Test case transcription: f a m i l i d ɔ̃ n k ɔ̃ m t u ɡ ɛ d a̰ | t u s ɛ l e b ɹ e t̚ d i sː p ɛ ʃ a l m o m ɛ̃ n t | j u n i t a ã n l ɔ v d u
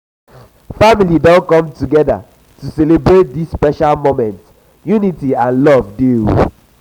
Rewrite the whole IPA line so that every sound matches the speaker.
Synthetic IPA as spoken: f a m i l i d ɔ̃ n k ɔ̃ m t u ɡ ɛ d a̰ | t u s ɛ l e b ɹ e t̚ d i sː p ɛ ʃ a l m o m ɛ̃ n t | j u n i t i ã n l ɔ v d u